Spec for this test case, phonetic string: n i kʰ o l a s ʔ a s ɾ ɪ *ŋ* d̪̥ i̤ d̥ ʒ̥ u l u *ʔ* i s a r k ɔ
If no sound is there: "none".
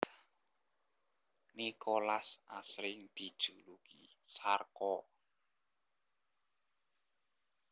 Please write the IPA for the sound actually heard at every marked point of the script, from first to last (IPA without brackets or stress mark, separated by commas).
ŋ, k